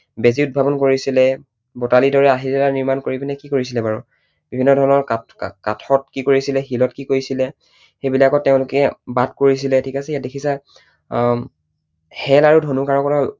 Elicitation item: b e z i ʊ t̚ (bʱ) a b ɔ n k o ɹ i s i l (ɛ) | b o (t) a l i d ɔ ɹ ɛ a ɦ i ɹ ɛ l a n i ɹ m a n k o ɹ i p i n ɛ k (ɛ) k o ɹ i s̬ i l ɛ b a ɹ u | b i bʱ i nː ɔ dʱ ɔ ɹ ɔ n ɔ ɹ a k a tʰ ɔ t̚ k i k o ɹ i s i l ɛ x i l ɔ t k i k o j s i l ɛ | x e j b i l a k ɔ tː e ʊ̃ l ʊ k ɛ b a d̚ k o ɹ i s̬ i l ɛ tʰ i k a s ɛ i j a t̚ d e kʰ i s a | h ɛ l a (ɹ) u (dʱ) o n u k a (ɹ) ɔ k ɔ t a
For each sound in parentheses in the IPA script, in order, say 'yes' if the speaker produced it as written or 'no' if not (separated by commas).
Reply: yes, yes, yes, no, yes, yes, yes